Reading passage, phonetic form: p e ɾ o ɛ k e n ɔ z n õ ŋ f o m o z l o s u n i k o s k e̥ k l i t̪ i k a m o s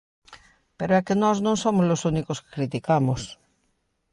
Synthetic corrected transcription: p e ɾ o ɛ k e n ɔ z n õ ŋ s o m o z l o s u n i k o s k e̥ k ɾ i t̪ i k a m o s